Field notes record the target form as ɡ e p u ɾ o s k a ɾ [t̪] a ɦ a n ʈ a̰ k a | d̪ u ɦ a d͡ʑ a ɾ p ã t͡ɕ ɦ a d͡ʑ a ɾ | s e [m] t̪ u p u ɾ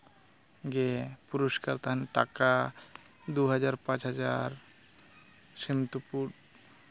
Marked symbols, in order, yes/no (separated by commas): yes, yes